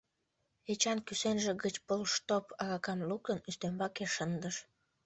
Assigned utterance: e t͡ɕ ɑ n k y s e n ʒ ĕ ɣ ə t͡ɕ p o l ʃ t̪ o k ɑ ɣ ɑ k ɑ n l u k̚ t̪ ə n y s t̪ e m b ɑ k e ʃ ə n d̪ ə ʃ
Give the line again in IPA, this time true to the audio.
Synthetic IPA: e t͡ɕ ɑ n k y s e n ʒ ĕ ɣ ə t͡ɕ p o l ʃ t̪ o p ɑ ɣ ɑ k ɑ m l u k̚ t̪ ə n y s t̪ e m b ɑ k e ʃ ə n d̪ ə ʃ

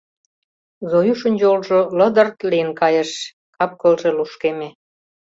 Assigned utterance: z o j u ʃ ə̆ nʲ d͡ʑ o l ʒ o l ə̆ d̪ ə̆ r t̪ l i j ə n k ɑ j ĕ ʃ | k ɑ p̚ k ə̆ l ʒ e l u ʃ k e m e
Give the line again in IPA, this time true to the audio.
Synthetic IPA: z o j u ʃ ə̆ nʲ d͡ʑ o l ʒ o l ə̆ d̪ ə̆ r t̪ l i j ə n k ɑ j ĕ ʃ | k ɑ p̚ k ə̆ l ʒ e l u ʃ k e m e

